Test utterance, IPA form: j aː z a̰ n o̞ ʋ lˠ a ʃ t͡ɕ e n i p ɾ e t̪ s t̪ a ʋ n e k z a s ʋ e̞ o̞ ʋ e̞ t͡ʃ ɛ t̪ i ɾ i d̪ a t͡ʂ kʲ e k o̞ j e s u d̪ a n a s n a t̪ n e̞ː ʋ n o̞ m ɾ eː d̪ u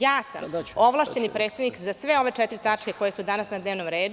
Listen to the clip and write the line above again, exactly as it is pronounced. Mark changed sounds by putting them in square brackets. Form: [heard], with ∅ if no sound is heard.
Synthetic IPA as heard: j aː [s] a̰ [m] o̞ ʋ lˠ a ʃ t͡ɕ e n i p ɾ e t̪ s t̪ a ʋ n [i] k z a s ʋ e̞ o̞ ʋ e̞ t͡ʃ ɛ t̪ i ɾ i [t̪] a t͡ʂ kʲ e k o̞ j e s u d̪ a n a s n a [d̪] n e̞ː ʋ n o̞ m ɾ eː d̪ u

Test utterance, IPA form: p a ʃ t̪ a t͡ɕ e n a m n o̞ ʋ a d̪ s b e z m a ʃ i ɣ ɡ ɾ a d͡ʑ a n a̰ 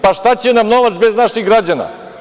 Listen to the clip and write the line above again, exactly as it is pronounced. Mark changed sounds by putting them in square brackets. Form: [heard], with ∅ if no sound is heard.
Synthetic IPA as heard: p a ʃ t̪ a t͡ɕ e n a m n o̞ ʋ a [t̪] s b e z [n] a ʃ i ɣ ɡ ɾ a d͡ʑ a n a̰

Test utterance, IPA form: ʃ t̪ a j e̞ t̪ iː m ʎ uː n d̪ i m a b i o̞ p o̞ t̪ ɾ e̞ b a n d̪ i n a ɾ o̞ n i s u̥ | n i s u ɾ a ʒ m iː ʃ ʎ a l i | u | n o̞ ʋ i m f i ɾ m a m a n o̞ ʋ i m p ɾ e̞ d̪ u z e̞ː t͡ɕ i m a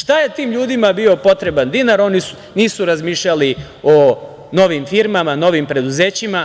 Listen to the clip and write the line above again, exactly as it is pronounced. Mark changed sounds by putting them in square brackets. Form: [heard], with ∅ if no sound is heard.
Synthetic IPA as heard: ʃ t̪ a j e̞ t̪ iː m ʎ uː [∅] d̪ i m a b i o̞ p o̞ t̪ ɾ e̞ b a n d̪ i n a ɾ o̞ n i s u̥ | n [iː] s u ɾ a [z] m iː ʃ ʎ a l i | [o] | n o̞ ʋ i m f i ɾ m a m a n o̞ ʋ i m p ɾ e̞ d̪ u z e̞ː t͡ɕ i m a

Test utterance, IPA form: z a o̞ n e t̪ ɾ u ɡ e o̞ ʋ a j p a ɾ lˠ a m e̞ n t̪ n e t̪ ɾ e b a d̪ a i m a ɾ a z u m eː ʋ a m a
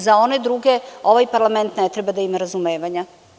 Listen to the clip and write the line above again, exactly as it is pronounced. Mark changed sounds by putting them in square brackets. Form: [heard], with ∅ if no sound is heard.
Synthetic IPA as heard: z a o̞ n e [d̪] ɾ u ɡ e o̞ ʋ a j p a ɾ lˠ a m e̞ n t̪ n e t̪ ɾ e b a d̪ a i m a ɾ a z u m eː ʋ a [ɲ] a

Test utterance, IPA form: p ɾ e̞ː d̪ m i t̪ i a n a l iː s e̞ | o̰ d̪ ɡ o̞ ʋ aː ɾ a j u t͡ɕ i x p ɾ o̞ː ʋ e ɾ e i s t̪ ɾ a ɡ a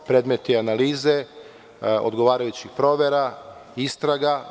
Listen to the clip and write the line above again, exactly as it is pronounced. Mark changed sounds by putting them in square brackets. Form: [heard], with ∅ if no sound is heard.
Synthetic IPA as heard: p ɾ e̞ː d̪ m [e] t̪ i a n a l iː [z] e̞ | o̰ d̪ ɡ o̞ ʋ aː ɾ a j u t͡ɕ i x p ɾ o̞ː ʋ e ɾ [a] i s t̪ ɾ a ɡ a

